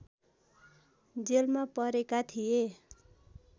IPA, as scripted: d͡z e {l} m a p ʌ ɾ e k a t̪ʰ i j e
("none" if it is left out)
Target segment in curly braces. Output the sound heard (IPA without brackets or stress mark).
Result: l